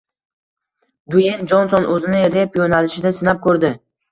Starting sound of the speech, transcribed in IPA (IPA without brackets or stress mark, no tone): d̪